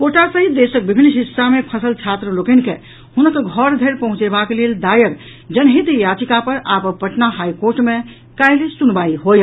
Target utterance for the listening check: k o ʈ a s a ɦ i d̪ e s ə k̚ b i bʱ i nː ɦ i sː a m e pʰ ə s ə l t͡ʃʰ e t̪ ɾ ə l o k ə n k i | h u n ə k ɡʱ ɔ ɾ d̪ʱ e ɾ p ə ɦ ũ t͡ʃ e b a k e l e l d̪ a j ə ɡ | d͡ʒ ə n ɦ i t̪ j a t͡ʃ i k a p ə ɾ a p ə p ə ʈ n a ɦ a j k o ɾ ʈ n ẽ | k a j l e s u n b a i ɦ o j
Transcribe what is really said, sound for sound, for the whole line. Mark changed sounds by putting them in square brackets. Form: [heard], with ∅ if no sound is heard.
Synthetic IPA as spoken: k o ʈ a s [ə] ɦ i d̪ e s ə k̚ b i bʱ i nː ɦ i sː a m e pʰ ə s ə l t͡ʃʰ [a] t̪ ɾ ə l o k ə n k [e] | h u n ə k ɡʱ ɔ ɾ d̪ʱ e ɾ p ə ɦ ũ t͡ʃ e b a k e l e l d̪ a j ə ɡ | d͡ʒ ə n ɦ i t̪ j a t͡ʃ i k a p ə ɾ a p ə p ə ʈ n a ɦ a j k o ɾ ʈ [m] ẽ | k a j l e s u n b a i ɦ o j

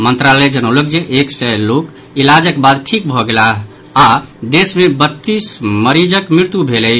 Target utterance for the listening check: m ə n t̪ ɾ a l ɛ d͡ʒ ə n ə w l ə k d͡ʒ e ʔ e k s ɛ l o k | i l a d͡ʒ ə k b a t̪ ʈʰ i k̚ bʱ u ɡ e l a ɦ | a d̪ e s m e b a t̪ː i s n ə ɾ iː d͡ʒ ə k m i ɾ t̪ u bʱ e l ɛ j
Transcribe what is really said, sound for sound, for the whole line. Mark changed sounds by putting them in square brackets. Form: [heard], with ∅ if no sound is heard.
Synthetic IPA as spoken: m ə n t̪ ɾ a l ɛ d͡ʒ ə n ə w l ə k d͡ʒ e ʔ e k s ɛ l o k | i l a d͡ʒ ə k b a [d̪] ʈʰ i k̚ bʱ [ɔ] ɡ e l a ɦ | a d̪ e s m e b [ə] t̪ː i s [m] ə ɾ [i] d͡ʒ ə k m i ɾ t̪ u bʱ e l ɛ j

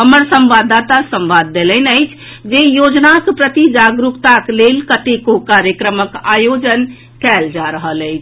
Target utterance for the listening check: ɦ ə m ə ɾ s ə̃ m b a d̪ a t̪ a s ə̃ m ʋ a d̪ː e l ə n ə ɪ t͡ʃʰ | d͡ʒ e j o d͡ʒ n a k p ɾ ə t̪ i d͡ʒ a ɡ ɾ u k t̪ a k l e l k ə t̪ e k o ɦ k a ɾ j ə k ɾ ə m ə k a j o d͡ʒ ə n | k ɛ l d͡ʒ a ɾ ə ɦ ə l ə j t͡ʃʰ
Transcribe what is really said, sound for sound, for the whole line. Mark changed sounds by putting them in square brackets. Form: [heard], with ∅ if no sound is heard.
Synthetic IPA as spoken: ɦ ə m ə ɾ s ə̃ m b a d̪ a t̪ a s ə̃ m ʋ a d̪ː e l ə n ə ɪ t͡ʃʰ | d͡ʒ e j o d͡ʒ n a k p ɾ ə t̪ i d͡ʒ a ɡ ɾ u k t̪ a k l e l k ə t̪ e k o [∅] k a ɾ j ə k ɾ ə m ə k a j o d͡ʒ ə n | k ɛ l d͡ʒ a ɾ ə ɦ ə l ə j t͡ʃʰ

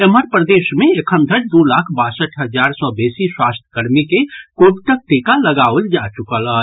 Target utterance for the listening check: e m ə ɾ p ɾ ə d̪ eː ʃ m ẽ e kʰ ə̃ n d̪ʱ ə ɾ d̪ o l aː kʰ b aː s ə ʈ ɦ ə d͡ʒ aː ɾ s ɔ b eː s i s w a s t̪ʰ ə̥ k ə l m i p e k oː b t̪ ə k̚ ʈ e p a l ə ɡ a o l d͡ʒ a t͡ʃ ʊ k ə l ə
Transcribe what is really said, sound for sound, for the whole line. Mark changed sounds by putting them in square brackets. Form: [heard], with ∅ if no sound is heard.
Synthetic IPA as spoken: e m ə ɾ p ɾ ə d̪ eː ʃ m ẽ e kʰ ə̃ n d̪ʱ ə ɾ d̪ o l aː kʰ b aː s ə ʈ ɦ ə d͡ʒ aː ɾ s ɔ b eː s i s w a s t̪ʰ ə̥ k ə [ɾ] m i [k] e k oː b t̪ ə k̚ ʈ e [k] a l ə ɡ a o l d͡ʒ a t͡ʃ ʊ k ə l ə

